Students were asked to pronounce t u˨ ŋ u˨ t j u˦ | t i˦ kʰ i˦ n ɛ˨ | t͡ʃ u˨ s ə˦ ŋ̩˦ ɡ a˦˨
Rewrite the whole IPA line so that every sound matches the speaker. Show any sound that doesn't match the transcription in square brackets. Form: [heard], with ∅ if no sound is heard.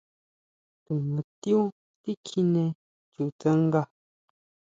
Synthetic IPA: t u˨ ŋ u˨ t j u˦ | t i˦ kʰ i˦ n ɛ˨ | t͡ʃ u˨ [t͡s] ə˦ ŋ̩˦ ɡ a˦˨